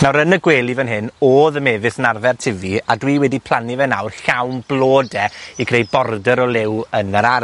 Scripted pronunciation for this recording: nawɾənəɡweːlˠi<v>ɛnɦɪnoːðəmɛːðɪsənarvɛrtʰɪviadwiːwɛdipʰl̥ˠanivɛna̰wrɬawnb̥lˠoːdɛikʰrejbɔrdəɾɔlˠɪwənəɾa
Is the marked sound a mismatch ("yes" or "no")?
no